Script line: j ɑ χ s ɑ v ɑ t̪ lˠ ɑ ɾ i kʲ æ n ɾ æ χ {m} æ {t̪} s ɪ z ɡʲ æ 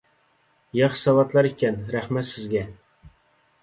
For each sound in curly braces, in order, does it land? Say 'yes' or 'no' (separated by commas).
yes, yes